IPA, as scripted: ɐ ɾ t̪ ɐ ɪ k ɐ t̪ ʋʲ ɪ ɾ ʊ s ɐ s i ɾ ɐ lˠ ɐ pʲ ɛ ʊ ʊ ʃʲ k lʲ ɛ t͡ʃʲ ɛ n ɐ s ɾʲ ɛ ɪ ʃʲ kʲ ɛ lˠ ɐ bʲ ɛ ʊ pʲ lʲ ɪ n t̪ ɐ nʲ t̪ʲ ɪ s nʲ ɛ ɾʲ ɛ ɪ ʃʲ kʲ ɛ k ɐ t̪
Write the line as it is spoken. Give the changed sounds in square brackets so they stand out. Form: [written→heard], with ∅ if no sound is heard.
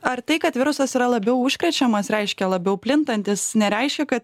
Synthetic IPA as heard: ɐ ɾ t̪ ɐ ɪ k ɐ t̪ ʋʲ ɪ ɾ ʊ s ɐ s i ɾ ɐ lˠ ɐ [pʲ→bʲ] ɛ ʊ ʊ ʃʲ k [lʲ→ɾʲ] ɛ t͡ʃʲ ɛ [n→m] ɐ s ɾʲ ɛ ɪ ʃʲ kʲ ɛ lˠ ɐ bʲ ɛ ʊ pʲ lʲ ɪ n t̪ ɐ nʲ t̪ʲ ɪ s nʲ ɛ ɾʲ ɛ ɪ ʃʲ kʲ ɛ k ɐ t̪